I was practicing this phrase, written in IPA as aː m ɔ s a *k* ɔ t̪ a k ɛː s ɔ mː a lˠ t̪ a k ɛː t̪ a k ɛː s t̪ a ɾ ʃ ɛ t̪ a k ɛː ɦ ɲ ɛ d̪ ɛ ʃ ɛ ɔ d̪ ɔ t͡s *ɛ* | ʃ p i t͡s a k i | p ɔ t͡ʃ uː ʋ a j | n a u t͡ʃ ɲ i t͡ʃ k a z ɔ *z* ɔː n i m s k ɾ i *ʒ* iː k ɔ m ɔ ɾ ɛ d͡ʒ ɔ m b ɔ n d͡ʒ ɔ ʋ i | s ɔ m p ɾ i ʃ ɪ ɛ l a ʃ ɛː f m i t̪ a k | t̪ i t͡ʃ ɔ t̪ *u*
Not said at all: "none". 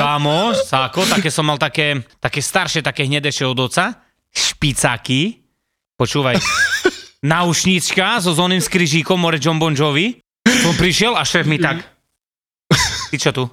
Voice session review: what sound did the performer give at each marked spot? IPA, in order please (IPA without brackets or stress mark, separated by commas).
k, a, z, ʒ, u